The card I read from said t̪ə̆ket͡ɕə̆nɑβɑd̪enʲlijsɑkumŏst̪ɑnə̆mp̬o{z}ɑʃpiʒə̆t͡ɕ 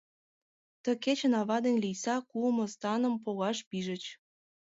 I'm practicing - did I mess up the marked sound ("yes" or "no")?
yes